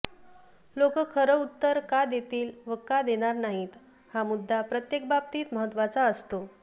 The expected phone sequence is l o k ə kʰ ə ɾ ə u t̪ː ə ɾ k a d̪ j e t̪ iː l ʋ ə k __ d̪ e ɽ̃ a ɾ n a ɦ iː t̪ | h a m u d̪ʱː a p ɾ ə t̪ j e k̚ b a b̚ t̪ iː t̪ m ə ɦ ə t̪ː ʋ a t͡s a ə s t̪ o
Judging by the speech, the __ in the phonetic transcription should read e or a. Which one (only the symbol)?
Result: a